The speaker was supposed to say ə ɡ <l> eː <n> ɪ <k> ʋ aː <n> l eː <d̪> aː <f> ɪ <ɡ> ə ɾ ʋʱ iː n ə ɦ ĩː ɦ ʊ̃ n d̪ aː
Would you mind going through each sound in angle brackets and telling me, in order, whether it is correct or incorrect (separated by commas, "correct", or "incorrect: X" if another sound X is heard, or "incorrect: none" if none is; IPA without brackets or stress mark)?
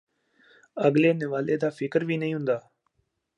correct, correct, incorrect: none, incorrect: none, correct, correct, incorrect: k